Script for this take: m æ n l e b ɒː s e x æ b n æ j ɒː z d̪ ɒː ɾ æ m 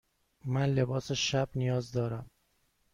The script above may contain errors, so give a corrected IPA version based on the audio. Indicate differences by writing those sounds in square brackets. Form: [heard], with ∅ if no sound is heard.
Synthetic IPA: m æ n l e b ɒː s e [ʃ] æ b n [i] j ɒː z d̪ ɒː ɾ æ m